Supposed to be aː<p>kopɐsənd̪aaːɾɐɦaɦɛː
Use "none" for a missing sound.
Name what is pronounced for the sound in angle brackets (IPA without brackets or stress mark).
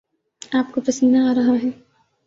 p